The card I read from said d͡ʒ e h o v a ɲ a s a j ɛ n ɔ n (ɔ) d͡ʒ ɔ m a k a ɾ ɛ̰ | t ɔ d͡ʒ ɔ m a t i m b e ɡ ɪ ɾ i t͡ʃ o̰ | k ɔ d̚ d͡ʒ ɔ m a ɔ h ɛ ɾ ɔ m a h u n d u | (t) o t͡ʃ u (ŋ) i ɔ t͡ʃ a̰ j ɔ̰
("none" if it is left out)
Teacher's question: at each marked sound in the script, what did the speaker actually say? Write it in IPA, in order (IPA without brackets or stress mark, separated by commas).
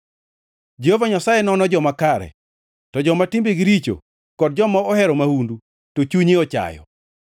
ɔ, t, ɲ